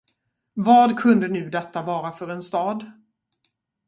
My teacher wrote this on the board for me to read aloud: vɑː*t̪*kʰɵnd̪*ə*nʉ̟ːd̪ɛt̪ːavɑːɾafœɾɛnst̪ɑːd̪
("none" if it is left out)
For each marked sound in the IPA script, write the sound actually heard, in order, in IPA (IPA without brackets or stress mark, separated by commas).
d̪, ə